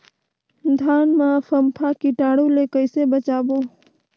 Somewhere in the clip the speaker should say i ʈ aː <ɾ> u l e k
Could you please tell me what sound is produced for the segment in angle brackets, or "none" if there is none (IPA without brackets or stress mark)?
ɽ